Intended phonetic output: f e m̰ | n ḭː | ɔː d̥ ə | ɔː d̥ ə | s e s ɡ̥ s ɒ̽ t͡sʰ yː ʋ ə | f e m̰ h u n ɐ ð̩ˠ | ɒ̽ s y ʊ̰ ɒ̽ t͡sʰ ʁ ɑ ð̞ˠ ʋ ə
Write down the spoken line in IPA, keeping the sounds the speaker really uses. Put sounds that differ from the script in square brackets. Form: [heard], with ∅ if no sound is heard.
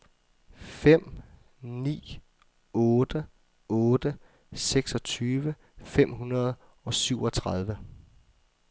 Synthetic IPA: f e m̰ | n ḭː | ɔː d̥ ə | ɔː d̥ ə | s e [∅] ɡ̥ s ɒ̽ t͡sʰ yː ʋ ə | f e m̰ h u n ɐ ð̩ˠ | ɒ̽ s y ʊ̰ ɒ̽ t͡sʰ ʁ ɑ ð̞ˠ ʋ ə